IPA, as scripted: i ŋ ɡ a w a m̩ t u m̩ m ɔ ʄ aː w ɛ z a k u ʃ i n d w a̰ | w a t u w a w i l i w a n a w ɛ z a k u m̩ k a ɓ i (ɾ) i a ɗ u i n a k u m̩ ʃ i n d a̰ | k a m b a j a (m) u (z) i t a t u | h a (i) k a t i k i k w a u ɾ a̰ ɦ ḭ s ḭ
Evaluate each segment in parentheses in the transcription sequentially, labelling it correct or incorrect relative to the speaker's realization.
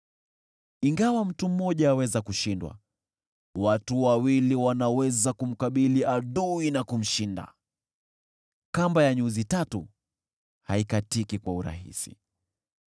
incorrect, incorrect, correct, correct

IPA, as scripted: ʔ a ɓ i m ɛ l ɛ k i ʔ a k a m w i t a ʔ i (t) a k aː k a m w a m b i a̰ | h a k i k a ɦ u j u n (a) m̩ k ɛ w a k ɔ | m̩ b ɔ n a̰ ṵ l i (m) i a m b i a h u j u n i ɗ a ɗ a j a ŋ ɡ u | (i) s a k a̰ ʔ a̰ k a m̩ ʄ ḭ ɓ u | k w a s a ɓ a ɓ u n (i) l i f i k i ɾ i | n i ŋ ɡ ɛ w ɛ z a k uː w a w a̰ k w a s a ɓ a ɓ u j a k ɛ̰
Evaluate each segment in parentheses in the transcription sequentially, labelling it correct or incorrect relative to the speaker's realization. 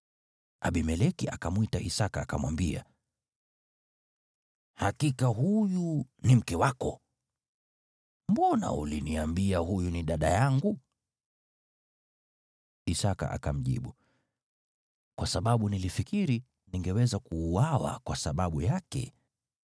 incorrect, incorrect, incorrect, correct, correct

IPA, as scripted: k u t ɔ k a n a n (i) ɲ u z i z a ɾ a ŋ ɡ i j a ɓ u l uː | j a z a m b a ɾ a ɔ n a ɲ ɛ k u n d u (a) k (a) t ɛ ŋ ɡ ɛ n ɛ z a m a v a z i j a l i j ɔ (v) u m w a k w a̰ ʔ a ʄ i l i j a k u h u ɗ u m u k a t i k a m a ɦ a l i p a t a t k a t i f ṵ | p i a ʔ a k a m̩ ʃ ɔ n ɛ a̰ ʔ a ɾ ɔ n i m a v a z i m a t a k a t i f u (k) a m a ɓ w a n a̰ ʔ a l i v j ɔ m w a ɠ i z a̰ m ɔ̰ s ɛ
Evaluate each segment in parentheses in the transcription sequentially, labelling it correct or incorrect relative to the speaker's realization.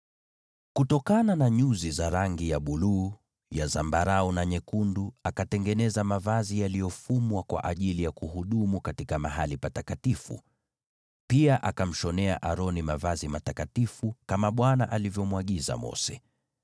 incorrect, correct, correct, incorrect, correct

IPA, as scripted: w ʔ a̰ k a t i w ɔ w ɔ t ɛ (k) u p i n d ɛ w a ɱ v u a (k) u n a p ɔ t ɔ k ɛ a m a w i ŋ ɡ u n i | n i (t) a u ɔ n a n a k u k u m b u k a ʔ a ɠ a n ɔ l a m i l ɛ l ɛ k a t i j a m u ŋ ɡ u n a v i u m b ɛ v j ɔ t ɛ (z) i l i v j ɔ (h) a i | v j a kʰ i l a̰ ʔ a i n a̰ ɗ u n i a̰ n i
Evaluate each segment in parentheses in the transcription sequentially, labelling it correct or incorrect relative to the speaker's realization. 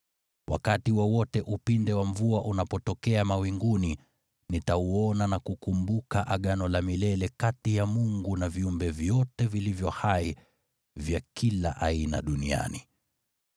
incorrect, incorrect, correct, incorrect, correct

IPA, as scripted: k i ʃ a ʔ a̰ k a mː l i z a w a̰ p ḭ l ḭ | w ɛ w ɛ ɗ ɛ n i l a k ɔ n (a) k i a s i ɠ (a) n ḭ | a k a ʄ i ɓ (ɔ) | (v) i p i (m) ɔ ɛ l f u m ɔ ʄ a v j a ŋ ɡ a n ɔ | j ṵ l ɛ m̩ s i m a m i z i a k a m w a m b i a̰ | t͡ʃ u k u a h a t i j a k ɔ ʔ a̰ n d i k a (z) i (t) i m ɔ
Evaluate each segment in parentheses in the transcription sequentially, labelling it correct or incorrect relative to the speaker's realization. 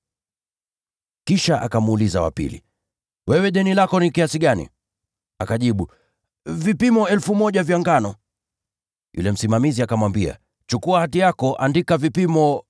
incorrect, correct, incorrect, correct, correct, incorrect, incorrect

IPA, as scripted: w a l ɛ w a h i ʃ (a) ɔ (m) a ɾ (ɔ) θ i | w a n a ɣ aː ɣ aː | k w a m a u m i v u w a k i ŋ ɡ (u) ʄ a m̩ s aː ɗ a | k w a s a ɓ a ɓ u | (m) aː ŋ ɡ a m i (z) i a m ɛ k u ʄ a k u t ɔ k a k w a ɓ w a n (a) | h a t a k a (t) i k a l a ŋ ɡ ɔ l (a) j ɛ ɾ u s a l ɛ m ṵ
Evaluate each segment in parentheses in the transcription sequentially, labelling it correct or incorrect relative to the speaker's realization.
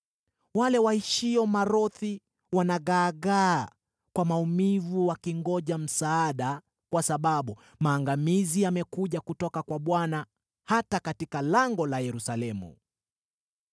incorrect, correct, correct, incorrect, correct, correct, correct, correct, correct

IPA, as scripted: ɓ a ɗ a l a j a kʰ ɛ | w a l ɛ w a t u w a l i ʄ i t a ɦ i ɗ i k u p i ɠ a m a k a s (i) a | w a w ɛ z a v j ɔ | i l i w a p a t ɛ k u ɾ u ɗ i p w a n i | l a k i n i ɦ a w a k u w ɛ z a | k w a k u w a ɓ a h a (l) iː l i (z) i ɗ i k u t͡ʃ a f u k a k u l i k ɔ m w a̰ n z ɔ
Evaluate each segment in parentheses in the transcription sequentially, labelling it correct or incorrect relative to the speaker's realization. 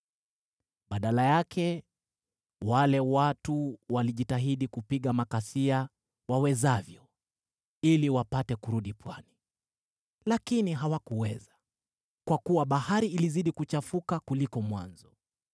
correct, incorrect, correct

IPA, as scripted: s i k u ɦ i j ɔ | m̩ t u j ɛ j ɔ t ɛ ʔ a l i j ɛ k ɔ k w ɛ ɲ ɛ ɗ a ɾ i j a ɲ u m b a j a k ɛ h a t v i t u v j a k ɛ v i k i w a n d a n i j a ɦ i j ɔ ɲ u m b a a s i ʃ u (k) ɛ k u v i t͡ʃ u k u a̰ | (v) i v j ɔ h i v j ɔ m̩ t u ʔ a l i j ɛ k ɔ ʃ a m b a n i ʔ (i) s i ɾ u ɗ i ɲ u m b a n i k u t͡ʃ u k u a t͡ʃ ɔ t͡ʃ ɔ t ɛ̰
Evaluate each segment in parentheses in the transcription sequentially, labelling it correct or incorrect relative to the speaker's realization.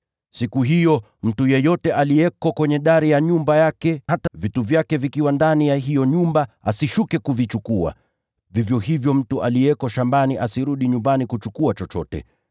correct, correct, incorrect

